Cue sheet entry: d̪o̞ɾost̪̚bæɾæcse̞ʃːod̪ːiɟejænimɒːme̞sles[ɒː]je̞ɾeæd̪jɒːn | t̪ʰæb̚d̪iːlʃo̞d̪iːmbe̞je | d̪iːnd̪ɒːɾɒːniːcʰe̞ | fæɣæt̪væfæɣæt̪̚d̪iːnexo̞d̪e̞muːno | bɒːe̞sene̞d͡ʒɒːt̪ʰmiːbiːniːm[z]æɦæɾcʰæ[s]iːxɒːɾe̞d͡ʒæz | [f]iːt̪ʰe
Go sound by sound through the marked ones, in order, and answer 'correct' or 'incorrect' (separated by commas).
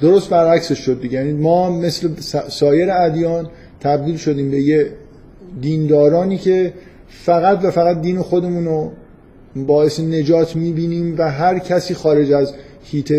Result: correct, incorrect, correct, incorrect